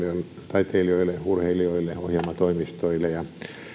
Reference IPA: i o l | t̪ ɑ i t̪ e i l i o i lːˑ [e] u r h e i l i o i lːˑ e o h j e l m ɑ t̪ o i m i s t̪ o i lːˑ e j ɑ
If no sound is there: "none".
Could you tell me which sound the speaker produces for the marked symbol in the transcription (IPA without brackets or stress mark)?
e